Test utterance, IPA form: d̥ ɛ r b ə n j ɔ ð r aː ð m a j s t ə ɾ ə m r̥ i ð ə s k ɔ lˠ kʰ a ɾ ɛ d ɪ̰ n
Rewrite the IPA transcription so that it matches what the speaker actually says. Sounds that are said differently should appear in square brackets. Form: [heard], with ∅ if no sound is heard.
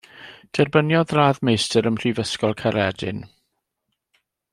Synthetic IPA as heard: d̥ ɛ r b ə n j ɔ ð r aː ð m [e] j s t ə ɾ ə m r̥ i [v] ə s k ɔ lˠ kʰ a ɾ ɛ d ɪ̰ n